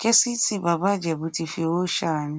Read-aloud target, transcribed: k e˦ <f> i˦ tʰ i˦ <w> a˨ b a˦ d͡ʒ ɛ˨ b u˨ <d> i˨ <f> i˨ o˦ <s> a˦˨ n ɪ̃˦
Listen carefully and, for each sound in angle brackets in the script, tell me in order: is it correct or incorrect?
incorrect, incorrect, incorrect, correct, incorrect

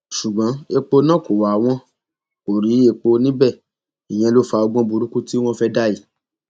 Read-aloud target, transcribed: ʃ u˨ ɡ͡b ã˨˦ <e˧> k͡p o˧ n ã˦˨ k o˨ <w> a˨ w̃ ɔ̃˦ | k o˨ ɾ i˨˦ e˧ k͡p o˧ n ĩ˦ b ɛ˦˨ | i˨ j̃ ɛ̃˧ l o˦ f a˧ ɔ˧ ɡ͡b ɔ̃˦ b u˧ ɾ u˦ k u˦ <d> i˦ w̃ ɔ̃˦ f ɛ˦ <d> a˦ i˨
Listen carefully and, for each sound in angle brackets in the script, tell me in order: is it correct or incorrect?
correct, correct, incorrect, correct

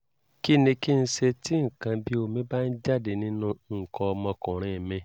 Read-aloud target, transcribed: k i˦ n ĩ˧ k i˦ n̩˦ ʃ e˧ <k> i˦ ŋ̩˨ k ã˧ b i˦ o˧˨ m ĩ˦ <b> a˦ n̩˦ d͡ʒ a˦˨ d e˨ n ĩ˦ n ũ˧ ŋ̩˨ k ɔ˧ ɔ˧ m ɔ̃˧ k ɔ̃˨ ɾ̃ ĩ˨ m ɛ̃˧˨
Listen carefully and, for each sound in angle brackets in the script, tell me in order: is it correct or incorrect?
incorrect, correct

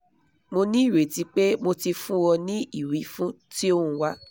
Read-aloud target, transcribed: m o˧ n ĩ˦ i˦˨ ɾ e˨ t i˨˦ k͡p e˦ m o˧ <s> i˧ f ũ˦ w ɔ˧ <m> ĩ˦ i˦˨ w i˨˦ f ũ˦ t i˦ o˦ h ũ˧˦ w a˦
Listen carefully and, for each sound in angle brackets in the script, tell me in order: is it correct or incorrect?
incorrect, incorrect

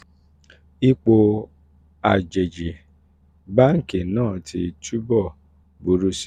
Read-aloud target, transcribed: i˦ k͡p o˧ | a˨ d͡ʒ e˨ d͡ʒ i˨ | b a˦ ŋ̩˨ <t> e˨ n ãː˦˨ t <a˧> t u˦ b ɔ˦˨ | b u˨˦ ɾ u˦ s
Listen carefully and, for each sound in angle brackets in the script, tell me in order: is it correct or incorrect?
incorrect, incorrect

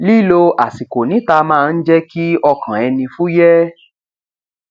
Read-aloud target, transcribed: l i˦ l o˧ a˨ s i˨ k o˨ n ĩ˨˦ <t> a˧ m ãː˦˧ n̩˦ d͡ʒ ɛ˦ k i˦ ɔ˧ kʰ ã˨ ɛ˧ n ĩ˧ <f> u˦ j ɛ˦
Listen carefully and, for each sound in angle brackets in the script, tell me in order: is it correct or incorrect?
correct, correct

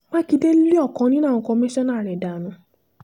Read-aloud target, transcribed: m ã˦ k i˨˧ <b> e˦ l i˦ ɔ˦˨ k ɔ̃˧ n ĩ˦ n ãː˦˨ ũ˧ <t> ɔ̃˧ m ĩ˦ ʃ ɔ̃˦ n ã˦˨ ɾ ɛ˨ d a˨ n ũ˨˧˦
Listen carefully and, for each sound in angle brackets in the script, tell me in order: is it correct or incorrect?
incorrect, incorrect

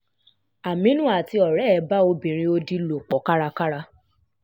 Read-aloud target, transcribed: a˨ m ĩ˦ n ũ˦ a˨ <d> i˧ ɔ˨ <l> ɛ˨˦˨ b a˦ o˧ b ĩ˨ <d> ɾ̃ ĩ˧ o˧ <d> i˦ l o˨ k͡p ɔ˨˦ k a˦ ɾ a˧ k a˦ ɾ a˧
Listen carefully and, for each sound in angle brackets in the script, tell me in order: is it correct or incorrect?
incorrect, incorrect, incorrect, correct

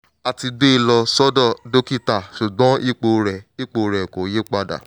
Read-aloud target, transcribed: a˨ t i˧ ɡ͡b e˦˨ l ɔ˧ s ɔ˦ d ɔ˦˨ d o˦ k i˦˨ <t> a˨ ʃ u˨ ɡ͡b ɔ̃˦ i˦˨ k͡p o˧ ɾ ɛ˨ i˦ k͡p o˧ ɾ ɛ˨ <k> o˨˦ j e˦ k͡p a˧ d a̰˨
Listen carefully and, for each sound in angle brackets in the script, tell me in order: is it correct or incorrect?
correct, correct

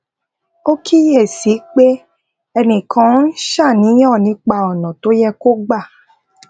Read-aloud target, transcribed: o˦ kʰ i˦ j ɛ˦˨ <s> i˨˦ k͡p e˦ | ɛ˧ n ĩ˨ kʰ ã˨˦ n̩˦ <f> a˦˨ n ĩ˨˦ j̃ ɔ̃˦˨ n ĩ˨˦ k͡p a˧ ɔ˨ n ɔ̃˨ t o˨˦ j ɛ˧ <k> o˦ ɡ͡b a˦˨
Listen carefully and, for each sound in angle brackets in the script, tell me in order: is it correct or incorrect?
correct, incorrect, correct

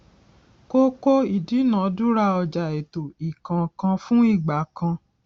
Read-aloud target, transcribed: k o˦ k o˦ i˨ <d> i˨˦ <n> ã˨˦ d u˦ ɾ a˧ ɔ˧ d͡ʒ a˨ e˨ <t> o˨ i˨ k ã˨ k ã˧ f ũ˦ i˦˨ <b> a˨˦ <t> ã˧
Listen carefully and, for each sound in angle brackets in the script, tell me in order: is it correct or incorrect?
correct, correct, correct, incorrect, incorrect

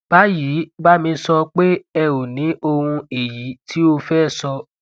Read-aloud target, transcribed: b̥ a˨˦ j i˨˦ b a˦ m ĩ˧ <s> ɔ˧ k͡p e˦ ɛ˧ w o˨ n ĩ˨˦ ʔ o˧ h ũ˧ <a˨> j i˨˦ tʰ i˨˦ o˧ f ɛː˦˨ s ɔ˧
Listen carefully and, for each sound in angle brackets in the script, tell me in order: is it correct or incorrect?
correct, incorrect

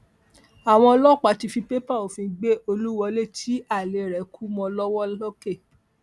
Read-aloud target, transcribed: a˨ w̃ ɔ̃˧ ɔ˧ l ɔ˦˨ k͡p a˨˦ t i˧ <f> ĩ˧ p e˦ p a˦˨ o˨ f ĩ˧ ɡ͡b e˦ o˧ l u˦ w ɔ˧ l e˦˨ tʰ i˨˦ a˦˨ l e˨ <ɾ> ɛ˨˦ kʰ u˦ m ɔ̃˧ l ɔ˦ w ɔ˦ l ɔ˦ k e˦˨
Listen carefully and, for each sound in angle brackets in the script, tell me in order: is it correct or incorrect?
correct, correct

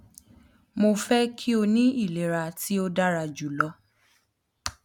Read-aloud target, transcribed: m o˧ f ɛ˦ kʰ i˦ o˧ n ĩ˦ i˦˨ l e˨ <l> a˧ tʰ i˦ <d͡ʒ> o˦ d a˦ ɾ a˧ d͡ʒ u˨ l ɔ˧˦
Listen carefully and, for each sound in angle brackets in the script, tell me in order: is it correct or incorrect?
incorrect, incorrect

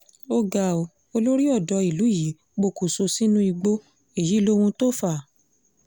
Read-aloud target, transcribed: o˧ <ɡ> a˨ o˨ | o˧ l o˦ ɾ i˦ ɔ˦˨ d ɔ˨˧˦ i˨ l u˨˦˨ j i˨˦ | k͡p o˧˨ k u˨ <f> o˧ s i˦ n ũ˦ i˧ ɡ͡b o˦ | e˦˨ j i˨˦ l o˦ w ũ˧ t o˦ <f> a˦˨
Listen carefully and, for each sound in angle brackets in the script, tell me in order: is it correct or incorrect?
correct, incorrect, correct

